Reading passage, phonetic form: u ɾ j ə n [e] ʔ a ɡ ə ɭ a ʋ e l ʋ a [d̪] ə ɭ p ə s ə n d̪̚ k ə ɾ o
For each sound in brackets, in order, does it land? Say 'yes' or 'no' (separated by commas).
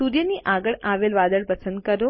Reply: no, yes